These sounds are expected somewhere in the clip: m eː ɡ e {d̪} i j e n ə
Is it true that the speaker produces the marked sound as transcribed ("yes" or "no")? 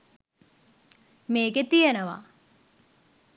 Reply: no